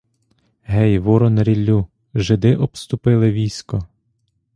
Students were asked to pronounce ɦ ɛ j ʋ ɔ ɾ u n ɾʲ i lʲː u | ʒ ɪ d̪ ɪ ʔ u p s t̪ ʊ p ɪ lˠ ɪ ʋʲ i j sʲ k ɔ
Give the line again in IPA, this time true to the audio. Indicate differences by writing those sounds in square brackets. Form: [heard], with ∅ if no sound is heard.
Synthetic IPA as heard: ɦ ɛ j ʋ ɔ ɾ [ɔ] n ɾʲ i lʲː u | ʒ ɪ d̪ ɪ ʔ [ɔ] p s t̪ ʊ p ɪ lˠ ɪ ʋʲ i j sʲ k ɔ

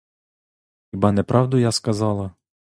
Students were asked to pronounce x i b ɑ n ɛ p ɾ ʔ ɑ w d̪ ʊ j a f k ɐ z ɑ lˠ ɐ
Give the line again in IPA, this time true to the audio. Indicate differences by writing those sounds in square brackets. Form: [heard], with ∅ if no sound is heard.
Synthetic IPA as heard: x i b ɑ n ɛ p ɾ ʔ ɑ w d̪ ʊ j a [s] k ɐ z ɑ lˠ ɐ

